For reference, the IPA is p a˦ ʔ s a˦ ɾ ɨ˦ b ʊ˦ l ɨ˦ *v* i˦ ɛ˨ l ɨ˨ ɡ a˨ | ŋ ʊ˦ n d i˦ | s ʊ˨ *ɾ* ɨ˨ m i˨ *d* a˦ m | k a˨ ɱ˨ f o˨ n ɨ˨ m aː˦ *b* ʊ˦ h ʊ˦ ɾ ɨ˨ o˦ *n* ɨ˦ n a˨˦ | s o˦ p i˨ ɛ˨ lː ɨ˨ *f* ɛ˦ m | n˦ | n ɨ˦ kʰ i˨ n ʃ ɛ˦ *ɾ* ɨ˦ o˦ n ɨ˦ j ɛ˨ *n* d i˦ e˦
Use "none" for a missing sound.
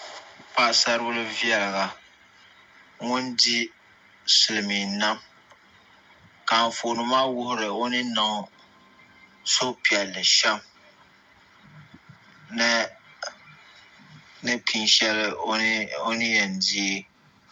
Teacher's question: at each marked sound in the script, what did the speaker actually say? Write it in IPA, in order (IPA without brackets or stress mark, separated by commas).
v, l, n, w, n, ʃ, l, n